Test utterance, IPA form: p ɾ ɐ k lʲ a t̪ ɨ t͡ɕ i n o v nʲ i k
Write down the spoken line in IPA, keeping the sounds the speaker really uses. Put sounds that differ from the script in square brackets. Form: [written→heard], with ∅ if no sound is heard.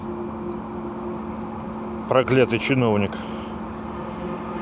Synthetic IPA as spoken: p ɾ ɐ k lʲ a t̪ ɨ t͡ɕ [i→ɪ] n o v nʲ [i→ɪ] k